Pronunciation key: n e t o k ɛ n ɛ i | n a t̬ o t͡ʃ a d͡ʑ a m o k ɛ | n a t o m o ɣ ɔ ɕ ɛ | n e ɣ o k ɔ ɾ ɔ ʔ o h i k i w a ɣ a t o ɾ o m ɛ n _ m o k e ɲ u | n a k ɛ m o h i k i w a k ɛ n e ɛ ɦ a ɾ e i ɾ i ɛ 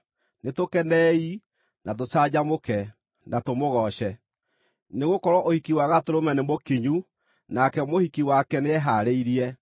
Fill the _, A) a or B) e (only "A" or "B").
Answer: B